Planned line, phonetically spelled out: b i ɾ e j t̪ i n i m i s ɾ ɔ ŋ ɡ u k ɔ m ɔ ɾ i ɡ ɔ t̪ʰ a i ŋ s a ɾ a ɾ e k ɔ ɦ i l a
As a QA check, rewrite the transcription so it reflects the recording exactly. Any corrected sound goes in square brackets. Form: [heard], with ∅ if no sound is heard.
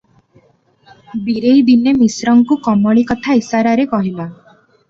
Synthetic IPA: b i ɾ e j [d̪] i n [e] m i s ɾ ɔ ŋ [k] u k ɔ m ɔ [ɭ] i [k] ɔ t̪ʰ a i [∅] s a ɾ a ɾ e k ɔ ɦ i l a